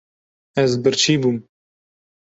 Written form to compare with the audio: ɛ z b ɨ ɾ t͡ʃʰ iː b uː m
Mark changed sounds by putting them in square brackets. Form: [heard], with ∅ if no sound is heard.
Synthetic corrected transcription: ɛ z b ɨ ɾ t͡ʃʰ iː b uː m